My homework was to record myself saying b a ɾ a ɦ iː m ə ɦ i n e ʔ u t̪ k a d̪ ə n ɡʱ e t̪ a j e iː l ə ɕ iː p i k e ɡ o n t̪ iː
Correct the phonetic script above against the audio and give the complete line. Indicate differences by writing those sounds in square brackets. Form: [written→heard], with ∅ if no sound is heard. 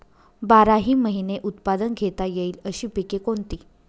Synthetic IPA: b a ɾ a ɦ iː m ə ɦ i n e ʔ u t̪ [k→p] a d̪ ə n ɡʱ e t̪ a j e iː l ə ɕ iː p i k e [ɡ→k] o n t̪ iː